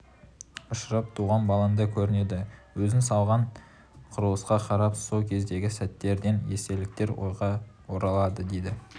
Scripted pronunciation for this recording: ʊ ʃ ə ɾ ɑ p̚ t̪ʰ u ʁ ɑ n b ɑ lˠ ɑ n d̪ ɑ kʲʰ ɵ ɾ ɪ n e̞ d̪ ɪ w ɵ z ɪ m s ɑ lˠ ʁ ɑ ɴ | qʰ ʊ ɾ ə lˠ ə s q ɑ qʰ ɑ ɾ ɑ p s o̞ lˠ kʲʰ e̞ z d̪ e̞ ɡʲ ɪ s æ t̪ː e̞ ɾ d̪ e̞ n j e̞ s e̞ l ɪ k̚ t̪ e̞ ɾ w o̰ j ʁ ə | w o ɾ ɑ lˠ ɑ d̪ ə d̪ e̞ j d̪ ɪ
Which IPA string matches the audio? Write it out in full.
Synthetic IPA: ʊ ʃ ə ɾ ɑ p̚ t̪ʰ u ʁ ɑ n b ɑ lˠ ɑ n d̪ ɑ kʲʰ ɵ ɾ ɪ n e̞ d̪ ɪ w ɵ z ɪ n s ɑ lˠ ʁ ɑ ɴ | qʰ ʊ ɾ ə lˠ ə s q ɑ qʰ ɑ ɾ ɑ p s o̞ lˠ kʲʰ e̞ z d̪ e̞ ɡʲ ɪ s æ t̪ː e̞ ɾ d̪ e̞ n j e̞ s e̞ l ɪ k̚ t̪ e̞ ɾ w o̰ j ʁ ɑ | w o ɾ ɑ lˠ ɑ d̪ ə d̪ e̞ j d̪ ɪ